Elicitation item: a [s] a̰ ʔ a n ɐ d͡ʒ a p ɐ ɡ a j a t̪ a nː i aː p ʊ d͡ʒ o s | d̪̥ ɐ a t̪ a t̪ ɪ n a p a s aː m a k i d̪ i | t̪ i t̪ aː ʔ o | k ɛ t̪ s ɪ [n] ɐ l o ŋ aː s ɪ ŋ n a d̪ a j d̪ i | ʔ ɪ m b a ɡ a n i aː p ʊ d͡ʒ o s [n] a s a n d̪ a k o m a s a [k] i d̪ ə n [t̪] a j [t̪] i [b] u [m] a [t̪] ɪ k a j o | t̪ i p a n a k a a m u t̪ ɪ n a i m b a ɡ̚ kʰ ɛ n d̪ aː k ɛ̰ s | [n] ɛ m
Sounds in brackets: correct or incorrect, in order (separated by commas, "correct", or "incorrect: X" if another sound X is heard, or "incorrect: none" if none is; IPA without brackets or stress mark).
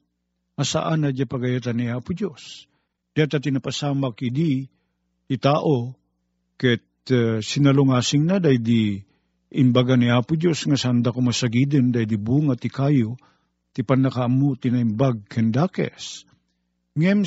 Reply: correct, correct, incorrect: ŋ, incorrect: ɡ, incorrect: d̪, incorrect: d̪, correct, incorrect: ŋ, correct, incorrect: ŋ